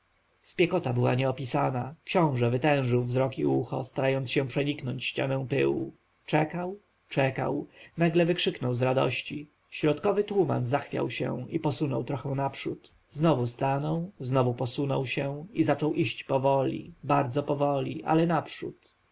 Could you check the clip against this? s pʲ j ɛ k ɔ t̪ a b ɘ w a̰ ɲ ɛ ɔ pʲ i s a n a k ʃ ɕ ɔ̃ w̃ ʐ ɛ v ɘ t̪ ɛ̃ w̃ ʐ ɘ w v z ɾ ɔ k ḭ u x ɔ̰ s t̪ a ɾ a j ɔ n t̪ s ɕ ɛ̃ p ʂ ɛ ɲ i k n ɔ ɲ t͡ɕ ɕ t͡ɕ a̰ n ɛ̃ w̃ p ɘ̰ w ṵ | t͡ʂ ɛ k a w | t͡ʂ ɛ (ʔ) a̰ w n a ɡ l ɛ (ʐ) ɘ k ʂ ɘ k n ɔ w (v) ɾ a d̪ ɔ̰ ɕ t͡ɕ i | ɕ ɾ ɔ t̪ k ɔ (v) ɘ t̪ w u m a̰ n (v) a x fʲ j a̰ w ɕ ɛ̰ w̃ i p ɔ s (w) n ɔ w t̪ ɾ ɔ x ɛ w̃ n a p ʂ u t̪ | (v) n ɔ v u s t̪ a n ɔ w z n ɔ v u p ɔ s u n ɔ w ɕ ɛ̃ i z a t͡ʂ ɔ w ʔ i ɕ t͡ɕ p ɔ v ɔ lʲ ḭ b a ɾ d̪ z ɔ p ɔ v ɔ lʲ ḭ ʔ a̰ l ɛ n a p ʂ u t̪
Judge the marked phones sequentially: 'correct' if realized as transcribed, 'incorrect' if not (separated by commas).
incorrect, incorrect, incorrect, correct, incorrect, incorrect, incorrect